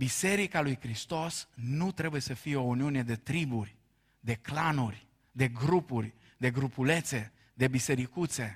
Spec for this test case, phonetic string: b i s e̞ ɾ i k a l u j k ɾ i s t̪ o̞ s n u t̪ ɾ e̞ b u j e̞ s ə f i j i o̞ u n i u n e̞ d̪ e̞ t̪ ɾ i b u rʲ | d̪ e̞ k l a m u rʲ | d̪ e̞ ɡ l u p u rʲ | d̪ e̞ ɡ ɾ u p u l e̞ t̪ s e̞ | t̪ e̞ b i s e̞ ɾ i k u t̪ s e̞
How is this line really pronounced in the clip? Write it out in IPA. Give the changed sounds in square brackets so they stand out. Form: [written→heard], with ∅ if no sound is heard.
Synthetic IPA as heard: b i s e̞ ɾ i k a l u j k ɾ i s t̪ o̞ s n u t̪ ɾ e̞ b u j e̞ s ə f i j [i→e] o̞ u n i u n e̞ d̪ e̞ t̪ ɾ i b u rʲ | d̪ e̞ k l a [m→n] u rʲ | d̪ e̞ ɡ [l→ɾ] u p u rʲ | d̪ e̞ ɡ ɾ u p u l e̞ t̪ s e̞ | [t̪→d̪] e̞ b i s e̞ ɾ i k u t̪ s e̞